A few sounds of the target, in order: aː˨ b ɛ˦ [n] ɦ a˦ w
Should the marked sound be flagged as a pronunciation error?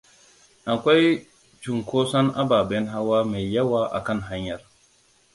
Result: no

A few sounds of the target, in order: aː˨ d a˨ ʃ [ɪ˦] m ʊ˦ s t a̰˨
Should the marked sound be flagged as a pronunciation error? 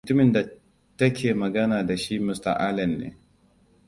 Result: yes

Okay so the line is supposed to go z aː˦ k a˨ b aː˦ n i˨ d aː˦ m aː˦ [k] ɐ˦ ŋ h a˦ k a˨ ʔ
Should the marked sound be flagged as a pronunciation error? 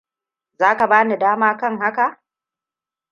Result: no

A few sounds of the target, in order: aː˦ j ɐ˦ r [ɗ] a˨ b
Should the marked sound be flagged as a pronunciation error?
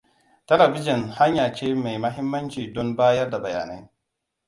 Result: yes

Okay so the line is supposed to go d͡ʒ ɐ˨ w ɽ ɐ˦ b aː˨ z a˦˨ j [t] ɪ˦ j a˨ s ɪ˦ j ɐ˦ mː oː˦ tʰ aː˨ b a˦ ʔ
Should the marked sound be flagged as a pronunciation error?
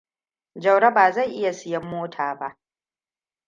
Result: yes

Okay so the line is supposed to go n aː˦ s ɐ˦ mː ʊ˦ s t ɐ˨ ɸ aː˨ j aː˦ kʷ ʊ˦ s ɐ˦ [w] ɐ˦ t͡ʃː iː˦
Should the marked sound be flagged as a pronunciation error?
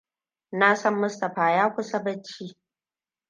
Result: yes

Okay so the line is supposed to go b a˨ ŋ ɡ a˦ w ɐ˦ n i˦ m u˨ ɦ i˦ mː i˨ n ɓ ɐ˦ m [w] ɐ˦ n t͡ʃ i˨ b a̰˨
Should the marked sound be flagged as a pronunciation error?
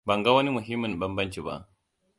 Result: yes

